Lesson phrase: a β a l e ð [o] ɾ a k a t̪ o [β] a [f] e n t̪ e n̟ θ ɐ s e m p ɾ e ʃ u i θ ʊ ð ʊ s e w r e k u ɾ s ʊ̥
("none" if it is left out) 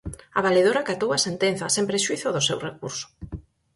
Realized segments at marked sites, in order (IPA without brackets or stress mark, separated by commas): o, w, s